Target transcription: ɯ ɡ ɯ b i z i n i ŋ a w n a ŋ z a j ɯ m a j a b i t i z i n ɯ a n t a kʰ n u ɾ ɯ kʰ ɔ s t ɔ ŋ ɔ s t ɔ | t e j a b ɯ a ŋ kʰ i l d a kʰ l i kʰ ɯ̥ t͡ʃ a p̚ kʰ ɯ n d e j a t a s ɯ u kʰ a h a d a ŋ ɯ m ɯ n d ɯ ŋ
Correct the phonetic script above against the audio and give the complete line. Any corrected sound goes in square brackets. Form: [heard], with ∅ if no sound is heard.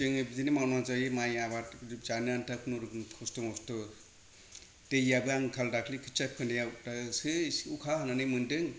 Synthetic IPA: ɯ [ŋ] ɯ b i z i n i [m] a w n a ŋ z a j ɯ m a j a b [a] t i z [a] n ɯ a n t a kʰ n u ɾ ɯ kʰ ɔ s t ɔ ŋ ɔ s t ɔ | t e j a b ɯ a ŋ kʰ [a] l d a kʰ l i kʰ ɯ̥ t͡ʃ a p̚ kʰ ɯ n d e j a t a s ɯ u kʰ a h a [n] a [n] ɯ m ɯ n d ɯ ŋ